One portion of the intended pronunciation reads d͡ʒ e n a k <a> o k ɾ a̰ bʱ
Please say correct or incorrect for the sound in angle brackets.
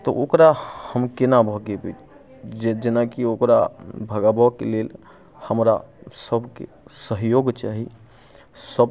incorrect